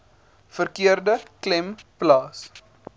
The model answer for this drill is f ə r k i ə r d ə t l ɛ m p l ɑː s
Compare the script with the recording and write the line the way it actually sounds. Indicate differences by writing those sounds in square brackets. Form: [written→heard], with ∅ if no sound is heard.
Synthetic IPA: f ə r k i ə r d ə [t→k] l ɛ m p l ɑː s